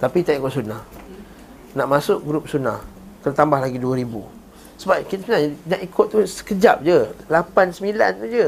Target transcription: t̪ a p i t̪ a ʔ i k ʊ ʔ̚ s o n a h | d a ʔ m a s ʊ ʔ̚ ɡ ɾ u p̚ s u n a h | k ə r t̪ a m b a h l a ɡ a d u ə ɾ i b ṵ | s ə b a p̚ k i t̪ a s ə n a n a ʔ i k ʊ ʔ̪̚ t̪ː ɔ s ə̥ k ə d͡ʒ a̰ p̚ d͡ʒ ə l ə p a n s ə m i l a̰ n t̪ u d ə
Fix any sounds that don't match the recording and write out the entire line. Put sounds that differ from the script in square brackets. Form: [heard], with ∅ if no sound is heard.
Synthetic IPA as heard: t̪ a p i t̪ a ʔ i k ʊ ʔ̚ s [u] n a h | [n] a ʔ m a s ʊ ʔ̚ ɡ ɾ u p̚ s u n a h | k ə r t̪ a m b a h l a ɡ [i] d u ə ɾ i b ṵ | s ə b a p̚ k i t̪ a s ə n a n a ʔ i k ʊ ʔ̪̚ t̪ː [u] s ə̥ k ə d͡ʒ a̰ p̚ d͡ʒ ə l [a] p a n s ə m i l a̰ n t̪ u [d͡ʒ] ə